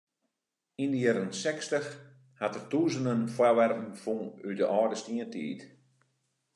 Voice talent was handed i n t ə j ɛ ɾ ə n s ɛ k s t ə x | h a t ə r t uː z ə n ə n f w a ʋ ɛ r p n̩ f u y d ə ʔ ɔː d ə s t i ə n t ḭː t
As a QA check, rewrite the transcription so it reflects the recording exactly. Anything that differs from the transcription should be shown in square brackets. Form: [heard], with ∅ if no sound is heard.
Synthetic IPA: i n [d] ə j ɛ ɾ ə n s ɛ k s t ə x | h a t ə r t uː z ə n ə n f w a ʋ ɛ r p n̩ f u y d ə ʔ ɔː d ə s t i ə n t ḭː t